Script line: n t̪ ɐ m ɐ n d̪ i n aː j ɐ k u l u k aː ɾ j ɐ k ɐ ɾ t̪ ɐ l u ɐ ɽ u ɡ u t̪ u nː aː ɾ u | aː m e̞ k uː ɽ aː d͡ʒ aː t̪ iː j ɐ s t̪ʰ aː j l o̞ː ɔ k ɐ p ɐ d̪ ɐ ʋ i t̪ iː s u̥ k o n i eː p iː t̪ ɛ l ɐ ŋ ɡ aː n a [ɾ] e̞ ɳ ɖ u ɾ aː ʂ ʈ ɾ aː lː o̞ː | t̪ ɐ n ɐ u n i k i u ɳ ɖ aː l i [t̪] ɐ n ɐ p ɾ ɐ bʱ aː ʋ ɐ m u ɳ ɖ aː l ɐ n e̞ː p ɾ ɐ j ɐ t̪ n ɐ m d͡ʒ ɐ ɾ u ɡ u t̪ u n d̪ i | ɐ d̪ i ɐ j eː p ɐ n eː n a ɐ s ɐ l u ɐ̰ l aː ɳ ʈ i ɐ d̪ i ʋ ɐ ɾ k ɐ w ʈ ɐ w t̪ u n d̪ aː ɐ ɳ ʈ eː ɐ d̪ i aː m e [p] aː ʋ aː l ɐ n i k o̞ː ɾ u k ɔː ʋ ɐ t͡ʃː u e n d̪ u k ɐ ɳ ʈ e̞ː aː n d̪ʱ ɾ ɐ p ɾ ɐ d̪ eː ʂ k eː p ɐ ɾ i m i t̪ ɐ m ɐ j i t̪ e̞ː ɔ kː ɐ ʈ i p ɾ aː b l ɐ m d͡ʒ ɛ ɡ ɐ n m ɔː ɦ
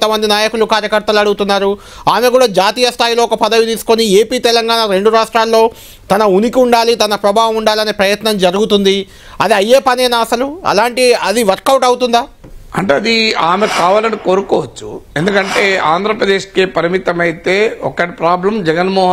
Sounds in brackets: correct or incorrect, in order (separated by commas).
correct, correct, incorrect